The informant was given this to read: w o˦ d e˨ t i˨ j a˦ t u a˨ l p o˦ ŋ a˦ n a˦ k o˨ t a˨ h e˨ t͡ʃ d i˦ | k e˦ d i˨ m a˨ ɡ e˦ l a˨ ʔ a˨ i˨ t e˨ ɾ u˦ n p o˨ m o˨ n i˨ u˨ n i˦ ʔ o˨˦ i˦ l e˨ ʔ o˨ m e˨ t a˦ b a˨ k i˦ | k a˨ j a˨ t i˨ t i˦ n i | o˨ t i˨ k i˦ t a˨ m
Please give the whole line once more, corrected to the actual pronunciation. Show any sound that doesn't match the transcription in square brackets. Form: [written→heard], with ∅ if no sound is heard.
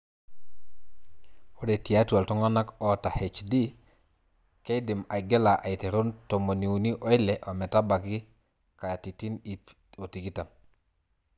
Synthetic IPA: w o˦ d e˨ t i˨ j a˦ t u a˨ l [p→t] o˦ ŋ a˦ n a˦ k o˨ t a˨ h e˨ t͡ʃ d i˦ | k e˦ d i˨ m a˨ ɡ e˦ l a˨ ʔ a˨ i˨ t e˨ ɾ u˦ n [p→t] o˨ m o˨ n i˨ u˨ n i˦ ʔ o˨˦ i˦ l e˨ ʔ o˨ m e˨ t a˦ b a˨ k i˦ | k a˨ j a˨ t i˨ t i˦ n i | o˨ t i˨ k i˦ t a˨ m